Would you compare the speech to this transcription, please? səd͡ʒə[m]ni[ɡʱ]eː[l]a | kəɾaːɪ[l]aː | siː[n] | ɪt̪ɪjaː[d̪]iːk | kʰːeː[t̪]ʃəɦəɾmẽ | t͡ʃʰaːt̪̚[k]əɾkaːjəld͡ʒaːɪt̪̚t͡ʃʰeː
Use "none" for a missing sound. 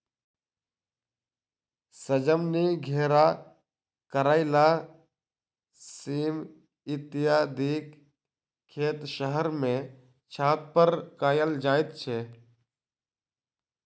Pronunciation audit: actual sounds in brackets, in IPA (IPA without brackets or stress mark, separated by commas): m, ɡʱ, ɾ, l, m, d̪, t̪, p